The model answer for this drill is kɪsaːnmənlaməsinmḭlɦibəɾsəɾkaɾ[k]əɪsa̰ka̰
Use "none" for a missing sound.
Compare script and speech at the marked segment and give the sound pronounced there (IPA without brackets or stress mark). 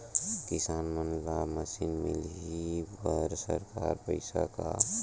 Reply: p